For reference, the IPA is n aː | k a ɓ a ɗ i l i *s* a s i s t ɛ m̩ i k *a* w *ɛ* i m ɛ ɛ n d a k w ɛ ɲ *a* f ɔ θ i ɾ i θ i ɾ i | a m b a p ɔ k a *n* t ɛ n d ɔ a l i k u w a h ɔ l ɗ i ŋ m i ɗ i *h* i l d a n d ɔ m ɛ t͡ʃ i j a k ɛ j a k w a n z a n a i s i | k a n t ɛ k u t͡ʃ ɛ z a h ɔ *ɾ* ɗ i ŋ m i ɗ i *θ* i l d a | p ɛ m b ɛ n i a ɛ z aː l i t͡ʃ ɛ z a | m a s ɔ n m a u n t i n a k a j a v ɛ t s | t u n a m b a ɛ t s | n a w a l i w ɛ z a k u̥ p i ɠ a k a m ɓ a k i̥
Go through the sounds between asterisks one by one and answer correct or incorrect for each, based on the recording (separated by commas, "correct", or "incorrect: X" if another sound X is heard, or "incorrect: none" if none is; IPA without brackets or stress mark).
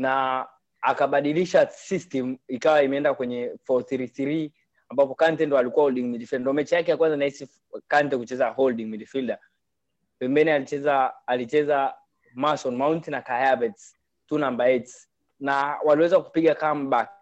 incorrect: ʃ, correct, incorrect: a, incorrect: ɛ, correct, incorrect: f, incorrect: l, incorrect: f